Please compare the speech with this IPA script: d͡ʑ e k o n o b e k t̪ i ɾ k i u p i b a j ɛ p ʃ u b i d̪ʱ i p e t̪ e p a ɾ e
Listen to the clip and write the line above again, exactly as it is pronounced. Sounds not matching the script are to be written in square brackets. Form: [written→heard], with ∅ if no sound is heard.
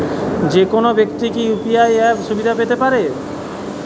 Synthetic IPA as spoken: d͡ʑ e k o n o b e k t̪ i [ɾ→∅] k i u p i [b→∅] a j ɛ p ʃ u b i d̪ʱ [i→a] p e t̪ e p a ɾ e